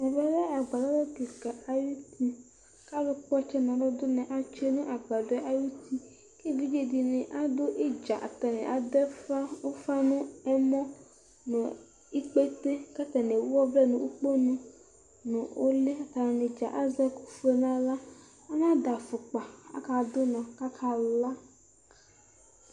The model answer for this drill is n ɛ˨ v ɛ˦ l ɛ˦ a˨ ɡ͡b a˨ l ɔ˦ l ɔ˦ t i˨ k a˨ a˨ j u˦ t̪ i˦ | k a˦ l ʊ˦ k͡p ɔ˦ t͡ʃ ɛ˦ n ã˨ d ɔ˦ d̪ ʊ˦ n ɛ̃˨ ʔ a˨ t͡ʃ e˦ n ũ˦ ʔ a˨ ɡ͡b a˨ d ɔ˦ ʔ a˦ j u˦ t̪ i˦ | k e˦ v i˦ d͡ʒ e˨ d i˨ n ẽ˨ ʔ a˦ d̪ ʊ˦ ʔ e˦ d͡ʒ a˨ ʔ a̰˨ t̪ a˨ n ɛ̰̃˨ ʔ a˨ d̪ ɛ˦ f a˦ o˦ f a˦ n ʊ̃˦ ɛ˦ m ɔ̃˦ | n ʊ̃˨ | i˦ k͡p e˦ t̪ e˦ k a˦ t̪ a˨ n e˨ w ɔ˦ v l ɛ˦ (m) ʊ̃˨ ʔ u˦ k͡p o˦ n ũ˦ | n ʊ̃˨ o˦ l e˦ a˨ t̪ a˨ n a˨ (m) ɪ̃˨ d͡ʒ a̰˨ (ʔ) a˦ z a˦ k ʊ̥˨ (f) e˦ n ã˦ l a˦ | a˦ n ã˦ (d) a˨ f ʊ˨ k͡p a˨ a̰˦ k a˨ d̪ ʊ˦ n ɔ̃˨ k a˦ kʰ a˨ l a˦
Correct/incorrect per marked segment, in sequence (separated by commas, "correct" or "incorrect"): incorrect, incorrect, correct, correct, correct